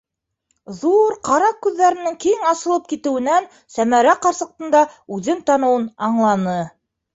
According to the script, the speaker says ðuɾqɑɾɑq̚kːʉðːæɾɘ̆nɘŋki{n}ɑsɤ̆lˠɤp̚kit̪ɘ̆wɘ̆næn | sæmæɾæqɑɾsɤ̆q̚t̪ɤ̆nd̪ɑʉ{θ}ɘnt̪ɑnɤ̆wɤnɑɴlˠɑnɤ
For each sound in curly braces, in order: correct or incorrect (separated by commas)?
incorrect, incorrect